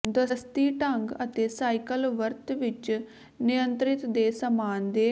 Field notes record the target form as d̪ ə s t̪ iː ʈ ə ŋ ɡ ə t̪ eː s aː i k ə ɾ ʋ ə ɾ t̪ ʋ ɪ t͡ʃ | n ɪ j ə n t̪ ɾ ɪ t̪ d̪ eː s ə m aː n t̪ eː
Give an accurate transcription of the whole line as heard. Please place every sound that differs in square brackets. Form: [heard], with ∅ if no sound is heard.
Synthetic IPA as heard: d̪ ə s t̪ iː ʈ ə ŋ ɡ ə t̪ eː s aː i k ə [l] ʋ ə ɾ t̪ ʋ ɪ t͡ʃ | n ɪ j ə n t̪ ɾ ɪ t̪ d̪ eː s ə m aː n [d̪] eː